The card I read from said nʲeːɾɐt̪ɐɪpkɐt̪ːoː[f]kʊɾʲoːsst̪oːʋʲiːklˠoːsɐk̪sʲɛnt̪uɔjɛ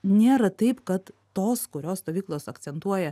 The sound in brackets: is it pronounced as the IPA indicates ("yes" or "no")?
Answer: no